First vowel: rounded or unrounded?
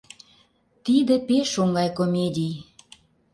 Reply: unrounded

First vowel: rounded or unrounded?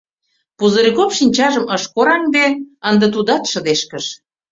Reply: rounded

